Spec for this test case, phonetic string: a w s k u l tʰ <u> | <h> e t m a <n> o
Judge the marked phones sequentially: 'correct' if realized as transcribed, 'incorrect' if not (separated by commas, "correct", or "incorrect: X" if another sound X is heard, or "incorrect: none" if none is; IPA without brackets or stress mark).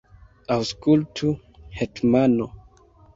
correct, correct, correct